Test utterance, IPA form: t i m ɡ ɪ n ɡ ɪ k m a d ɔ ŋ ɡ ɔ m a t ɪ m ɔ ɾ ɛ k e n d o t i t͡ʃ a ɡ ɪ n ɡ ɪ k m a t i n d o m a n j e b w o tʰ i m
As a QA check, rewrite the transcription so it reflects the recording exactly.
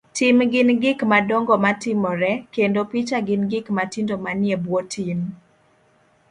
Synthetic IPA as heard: t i m ɡ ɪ n ɡ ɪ k m a d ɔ ŋ ɡ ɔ m a t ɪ m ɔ ɾ ɛ k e n d o p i t͡ʃ a ɡ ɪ n ɡ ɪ k m a t i n d o m a n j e b w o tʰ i m